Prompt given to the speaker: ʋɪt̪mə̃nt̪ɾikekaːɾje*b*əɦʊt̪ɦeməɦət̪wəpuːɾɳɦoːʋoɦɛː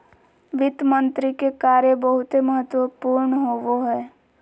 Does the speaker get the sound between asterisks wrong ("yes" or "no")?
no